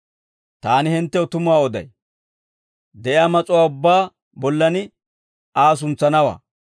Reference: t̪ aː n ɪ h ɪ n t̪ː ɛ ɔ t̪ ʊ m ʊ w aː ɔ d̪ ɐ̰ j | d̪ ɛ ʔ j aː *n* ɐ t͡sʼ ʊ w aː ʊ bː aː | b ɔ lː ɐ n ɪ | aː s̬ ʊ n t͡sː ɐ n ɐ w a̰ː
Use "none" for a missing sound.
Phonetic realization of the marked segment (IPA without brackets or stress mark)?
m